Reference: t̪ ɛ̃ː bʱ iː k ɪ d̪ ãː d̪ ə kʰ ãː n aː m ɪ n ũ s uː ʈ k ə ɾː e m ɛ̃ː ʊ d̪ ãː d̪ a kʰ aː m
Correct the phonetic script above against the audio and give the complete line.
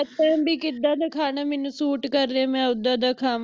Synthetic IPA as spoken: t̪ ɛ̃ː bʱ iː k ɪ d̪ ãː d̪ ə kʰ aː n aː m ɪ n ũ s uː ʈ k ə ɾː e m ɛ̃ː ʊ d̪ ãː d̪ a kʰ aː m

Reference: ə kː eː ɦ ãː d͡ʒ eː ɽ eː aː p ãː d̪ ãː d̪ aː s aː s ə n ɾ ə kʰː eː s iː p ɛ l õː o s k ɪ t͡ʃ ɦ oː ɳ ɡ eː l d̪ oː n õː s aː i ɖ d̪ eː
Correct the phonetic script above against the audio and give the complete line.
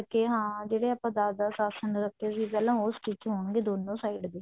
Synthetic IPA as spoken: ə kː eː ɦ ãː d͡ʒ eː ɽ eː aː p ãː d̪ aː d̪ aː s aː s ə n ɾ ə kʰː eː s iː p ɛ l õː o s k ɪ t͡ʃ ɦ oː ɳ ɡ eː d̪ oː n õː s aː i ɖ d̪ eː

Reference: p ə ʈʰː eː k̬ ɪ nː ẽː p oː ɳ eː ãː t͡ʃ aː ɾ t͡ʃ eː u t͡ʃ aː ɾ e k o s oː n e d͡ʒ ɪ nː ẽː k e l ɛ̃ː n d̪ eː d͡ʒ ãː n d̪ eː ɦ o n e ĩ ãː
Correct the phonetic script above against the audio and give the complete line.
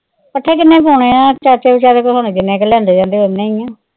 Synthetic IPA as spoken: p ə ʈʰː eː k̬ ɪ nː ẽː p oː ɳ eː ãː t͡ʃ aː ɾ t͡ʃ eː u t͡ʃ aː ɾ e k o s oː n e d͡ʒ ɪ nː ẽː k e l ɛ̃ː n d̪ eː d͡ʒ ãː n d̪ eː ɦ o n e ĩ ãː

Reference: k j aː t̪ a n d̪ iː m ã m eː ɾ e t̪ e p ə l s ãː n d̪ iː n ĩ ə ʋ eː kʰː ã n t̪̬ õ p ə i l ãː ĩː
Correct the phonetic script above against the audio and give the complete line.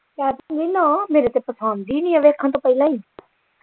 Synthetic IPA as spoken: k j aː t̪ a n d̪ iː n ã m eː ɾ e t̪ e p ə s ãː n d̪ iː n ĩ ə ʋ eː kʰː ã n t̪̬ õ p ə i l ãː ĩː

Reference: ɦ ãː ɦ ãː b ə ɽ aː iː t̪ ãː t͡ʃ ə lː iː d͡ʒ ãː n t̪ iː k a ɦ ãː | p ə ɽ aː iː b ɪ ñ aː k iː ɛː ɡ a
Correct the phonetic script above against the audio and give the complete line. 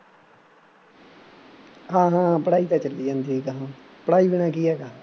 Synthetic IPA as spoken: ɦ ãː ɦ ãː p ə ɽ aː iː t̪ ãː t͡ʃ ə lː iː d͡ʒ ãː n d̪ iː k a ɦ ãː | p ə ɽ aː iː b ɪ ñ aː k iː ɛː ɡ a

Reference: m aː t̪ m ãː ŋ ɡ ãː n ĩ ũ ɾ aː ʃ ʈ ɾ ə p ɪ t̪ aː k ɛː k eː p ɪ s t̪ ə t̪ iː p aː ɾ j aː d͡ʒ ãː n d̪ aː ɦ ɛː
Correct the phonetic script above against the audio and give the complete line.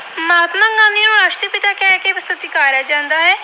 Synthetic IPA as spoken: m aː t̪ m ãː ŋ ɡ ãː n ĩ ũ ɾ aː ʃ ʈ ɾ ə p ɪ t̪ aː k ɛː k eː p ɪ s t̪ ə t̪ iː k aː ɾ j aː d͡ʒ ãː n d̪ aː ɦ ɛː

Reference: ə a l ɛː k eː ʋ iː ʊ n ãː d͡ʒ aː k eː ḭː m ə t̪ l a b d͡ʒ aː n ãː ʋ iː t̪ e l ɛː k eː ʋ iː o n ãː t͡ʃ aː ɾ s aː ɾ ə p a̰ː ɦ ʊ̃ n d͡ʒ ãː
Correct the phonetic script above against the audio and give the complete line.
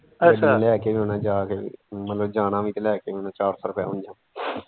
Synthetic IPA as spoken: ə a l ɛː k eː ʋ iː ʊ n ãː d͡ʒ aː k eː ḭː m ə t̪ l ə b d͡ʒ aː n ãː ʋ iː t̪ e l ɛː k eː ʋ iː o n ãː t͡ʃ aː ɾ s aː ɾ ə p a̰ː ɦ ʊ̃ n d͡ʒ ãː

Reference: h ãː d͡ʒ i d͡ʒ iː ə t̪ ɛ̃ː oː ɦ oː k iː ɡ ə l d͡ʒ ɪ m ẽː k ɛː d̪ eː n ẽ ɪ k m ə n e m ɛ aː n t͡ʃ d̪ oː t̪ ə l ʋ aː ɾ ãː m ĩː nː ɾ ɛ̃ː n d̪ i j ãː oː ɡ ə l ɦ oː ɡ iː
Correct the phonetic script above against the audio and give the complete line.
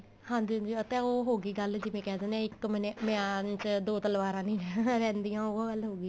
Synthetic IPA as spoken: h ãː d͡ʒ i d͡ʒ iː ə t̪ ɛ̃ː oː ɦ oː ɡ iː ɡ ə l d͡ʒ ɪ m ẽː k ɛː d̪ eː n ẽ ɪ k m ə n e m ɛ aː n t͡ʃ d̪ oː t̪ ə l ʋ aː ɾ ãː n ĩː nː ɾ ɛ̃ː n d̪ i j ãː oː ɡ ə l ɦ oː ɡ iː

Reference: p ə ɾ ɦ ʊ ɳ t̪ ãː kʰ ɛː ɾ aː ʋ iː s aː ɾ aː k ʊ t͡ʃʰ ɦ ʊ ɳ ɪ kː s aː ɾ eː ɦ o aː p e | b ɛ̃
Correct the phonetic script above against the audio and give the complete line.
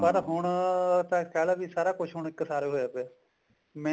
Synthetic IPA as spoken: p ə ɾ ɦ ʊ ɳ t̪ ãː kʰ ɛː l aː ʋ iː s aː ɾ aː k ʊ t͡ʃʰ ɦ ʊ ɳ ɪ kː s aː ɾ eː ɦ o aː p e | m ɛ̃

